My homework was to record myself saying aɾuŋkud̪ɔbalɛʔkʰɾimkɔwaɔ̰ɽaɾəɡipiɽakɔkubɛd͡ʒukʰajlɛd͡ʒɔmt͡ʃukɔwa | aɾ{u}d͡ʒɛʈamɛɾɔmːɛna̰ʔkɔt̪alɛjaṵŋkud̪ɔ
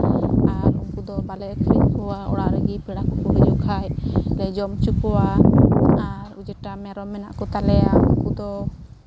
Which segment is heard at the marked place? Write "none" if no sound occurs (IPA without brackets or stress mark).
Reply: u